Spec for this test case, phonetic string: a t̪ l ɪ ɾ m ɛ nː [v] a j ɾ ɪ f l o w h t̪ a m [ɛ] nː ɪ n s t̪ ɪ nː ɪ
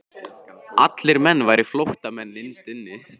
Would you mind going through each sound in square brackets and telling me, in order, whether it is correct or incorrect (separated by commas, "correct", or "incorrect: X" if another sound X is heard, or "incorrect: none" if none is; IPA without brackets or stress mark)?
correct, correct